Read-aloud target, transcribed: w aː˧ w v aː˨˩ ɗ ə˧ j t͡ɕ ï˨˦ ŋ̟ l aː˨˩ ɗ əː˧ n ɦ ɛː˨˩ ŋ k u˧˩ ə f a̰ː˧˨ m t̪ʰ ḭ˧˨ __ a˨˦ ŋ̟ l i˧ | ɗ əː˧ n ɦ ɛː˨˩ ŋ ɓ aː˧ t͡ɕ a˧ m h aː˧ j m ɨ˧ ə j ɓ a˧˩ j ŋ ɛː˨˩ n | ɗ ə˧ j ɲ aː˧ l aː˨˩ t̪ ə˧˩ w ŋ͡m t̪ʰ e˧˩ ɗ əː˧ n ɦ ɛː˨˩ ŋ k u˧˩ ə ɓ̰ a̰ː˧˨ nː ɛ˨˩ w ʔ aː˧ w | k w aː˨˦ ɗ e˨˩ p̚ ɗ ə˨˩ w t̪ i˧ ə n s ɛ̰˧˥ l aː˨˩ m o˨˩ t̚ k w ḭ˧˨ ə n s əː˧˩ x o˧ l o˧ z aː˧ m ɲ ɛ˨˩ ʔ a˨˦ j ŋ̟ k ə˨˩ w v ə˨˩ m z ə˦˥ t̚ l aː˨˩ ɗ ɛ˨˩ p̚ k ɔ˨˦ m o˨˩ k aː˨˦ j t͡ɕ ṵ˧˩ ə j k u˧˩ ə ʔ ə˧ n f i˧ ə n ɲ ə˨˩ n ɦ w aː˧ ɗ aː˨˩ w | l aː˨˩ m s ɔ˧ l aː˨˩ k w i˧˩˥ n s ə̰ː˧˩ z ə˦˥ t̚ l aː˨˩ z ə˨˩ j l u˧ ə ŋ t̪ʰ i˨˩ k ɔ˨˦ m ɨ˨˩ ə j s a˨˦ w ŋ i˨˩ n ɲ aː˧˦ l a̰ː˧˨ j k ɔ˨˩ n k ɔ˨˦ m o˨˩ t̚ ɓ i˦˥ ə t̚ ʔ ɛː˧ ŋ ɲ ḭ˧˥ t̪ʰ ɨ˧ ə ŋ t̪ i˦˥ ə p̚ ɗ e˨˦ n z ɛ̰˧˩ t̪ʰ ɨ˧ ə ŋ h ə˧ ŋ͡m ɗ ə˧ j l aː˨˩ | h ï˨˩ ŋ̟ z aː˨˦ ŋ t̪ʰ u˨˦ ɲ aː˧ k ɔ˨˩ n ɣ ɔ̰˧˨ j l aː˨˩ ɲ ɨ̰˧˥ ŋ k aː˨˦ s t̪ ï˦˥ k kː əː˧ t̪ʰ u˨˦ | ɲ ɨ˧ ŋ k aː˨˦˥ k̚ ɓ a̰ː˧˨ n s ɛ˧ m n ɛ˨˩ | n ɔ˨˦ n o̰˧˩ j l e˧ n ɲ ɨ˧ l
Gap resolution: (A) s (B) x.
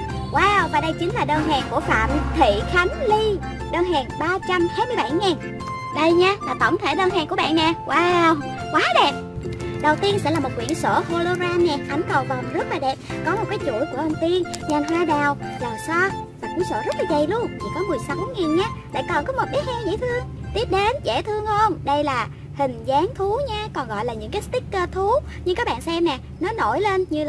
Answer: B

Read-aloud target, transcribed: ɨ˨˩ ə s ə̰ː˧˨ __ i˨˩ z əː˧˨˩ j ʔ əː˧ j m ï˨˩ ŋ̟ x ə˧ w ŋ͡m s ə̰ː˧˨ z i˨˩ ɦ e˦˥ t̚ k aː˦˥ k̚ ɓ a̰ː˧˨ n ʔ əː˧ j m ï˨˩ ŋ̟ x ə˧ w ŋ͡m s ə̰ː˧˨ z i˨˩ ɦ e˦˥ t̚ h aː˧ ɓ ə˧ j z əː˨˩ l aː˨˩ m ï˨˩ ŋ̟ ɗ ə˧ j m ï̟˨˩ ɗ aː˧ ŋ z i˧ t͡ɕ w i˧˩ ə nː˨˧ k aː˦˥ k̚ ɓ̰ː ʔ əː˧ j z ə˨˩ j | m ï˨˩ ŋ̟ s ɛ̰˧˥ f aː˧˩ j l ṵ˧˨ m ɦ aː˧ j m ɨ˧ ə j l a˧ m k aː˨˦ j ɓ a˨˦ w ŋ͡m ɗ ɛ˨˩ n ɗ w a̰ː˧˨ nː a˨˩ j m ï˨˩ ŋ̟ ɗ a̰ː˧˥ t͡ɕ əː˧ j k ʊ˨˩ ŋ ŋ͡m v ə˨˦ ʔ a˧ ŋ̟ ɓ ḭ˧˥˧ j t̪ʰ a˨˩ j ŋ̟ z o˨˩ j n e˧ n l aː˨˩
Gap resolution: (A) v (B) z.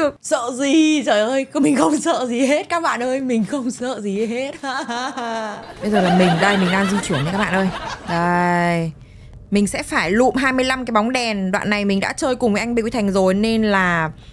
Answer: B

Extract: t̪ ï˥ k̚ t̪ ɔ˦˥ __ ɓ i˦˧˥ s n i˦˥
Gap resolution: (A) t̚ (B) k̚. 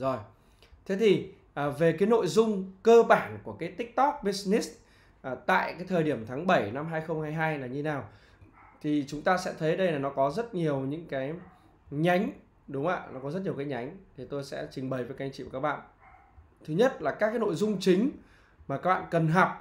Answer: B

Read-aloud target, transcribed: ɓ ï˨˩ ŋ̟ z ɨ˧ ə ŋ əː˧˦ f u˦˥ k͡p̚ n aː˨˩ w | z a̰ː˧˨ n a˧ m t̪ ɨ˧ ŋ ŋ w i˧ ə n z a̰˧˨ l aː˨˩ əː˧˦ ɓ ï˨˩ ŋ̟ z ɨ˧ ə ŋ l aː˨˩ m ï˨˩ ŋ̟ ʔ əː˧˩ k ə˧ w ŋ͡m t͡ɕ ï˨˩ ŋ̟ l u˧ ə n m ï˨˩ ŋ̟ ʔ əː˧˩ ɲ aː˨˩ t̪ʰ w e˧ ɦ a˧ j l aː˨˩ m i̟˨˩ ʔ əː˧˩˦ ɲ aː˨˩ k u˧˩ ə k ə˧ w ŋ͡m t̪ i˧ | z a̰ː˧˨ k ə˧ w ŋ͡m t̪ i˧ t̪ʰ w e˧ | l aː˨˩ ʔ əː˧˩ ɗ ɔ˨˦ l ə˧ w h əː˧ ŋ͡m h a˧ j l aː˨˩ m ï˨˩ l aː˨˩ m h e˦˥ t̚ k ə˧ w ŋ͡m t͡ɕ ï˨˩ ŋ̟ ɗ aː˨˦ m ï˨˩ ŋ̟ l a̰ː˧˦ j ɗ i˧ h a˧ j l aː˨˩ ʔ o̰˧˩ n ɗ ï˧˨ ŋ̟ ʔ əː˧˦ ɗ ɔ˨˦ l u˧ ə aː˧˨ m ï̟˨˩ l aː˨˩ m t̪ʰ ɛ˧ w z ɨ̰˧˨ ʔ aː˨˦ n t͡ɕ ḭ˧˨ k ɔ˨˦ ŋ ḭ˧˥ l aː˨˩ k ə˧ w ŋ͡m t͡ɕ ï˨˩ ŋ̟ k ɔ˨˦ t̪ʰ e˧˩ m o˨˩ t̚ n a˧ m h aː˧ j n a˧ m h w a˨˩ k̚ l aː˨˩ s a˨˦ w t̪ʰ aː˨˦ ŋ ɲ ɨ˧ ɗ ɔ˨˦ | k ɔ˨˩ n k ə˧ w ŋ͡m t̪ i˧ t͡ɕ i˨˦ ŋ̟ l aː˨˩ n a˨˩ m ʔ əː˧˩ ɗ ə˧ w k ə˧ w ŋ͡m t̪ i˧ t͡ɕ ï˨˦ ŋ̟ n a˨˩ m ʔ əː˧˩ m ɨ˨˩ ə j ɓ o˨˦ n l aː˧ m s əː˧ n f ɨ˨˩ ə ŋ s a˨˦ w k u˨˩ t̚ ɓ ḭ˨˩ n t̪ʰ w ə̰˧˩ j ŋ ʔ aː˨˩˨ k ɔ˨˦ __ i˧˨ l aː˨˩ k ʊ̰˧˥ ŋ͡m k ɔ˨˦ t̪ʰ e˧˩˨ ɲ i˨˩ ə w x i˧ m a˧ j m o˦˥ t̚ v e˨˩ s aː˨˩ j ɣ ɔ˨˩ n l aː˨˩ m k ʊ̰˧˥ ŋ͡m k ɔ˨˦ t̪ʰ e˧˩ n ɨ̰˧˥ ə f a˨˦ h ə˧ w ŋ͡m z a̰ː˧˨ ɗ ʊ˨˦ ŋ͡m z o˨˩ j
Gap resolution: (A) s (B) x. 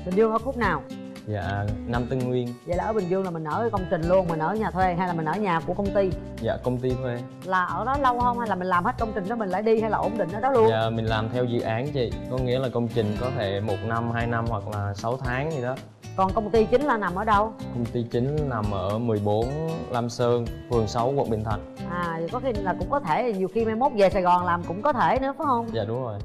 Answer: B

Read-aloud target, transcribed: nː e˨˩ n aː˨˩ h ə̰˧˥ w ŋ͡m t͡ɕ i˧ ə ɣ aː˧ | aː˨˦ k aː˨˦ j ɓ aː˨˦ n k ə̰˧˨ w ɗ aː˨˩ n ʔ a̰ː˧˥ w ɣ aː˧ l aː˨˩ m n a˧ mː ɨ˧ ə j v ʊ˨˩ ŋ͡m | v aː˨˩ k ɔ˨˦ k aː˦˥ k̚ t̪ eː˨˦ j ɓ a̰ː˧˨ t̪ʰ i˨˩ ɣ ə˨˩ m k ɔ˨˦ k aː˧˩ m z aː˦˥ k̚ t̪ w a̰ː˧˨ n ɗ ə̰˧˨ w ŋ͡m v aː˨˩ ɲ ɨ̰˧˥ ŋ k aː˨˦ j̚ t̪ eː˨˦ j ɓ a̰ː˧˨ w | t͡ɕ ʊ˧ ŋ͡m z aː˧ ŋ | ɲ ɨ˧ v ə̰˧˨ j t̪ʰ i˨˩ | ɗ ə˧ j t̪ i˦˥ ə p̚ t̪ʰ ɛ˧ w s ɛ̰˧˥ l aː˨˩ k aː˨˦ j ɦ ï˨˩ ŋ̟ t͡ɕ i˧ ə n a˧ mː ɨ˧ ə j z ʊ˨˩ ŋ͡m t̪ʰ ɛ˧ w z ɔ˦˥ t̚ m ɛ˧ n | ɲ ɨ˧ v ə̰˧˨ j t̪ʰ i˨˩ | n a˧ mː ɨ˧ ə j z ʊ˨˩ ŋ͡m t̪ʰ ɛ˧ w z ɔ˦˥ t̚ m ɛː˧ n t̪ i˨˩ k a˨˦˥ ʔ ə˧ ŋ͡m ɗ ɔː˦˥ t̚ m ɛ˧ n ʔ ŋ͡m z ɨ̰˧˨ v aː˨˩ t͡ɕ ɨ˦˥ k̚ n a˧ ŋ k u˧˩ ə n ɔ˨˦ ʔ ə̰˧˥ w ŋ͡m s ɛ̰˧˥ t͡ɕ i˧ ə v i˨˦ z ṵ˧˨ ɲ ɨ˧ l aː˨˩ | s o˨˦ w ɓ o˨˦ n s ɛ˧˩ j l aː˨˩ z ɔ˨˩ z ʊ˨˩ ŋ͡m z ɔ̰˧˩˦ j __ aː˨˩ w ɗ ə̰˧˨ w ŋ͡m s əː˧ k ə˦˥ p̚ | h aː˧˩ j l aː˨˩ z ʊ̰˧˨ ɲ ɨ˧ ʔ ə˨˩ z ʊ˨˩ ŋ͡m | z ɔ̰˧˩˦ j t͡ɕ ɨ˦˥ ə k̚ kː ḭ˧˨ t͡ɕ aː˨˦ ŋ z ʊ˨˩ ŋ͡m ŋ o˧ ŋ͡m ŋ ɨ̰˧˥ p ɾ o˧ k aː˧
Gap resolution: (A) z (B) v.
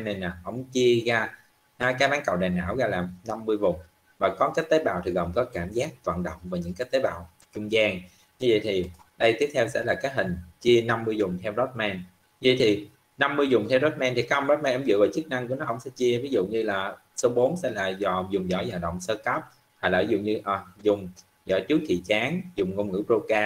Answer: A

